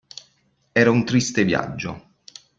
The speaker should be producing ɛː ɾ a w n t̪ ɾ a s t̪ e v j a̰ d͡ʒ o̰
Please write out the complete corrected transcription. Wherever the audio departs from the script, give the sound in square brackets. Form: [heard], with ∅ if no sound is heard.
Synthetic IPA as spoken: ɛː ɾ a [u] n t̪ ɾ [i] s t̪ e v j a̰ [d͡ʒː] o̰